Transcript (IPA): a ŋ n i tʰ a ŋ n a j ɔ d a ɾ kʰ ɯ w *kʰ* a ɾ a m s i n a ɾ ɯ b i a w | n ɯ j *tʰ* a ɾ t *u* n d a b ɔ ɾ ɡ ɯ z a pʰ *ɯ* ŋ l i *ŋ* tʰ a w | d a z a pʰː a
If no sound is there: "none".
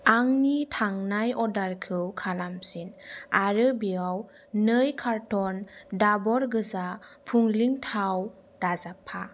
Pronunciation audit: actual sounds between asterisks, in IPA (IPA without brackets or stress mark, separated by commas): kʰ, kʰ, ɔ, u, ŋ